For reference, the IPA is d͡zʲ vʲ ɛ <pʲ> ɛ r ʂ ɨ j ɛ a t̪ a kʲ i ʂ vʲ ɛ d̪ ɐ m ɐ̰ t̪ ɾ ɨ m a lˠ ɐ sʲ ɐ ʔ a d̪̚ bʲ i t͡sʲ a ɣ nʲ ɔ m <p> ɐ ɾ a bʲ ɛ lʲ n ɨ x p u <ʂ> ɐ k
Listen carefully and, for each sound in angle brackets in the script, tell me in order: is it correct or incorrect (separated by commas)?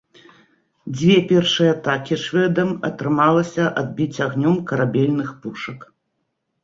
correct, incorrect, correct